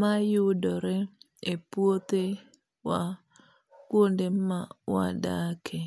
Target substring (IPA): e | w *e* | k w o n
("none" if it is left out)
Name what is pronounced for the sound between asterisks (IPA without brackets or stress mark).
a